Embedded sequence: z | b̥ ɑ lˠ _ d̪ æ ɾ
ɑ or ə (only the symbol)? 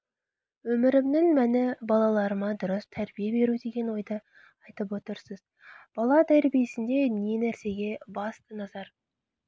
ɑ